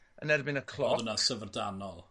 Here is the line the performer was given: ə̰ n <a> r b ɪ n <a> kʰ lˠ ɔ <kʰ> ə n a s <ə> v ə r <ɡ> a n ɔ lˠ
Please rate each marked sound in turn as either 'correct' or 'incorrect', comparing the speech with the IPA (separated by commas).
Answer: incorrect, incorrect, incorrect, correct, incorrect